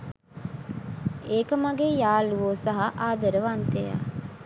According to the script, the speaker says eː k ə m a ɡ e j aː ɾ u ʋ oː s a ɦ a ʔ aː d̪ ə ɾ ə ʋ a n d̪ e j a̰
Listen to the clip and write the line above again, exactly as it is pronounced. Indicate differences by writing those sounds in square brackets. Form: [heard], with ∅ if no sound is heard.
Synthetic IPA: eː k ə m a ɡ e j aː [l] u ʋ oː s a ɦ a ʔ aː d̪ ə ɾ ə ʋ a n [t̪] e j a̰